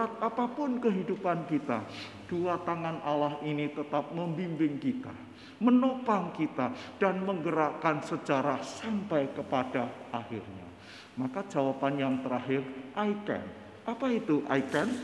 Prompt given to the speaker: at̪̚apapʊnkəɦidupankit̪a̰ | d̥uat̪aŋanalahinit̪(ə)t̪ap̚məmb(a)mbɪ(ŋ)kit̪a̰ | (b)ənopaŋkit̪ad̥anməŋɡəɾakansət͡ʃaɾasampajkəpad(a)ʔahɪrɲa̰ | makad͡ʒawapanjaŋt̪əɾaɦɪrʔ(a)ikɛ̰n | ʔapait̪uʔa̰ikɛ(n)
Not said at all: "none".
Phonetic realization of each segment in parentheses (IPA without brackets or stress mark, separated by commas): ə, i, ŋ, m, a, a, n